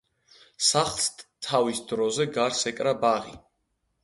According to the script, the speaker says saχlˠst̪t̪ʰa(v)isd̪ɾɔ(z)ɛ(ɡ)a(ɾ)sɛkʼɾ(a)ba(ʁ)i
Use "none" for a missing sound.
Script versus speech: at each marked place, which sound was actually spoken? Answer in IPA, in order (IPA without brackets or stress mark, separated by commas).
v, z, ɡ, ɾ, a, ʁ